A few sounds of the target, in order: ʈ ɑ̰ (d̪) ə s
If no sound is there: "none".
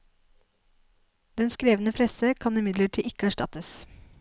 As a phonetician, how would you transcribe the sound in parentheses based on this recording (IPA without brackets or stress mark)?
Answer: t̪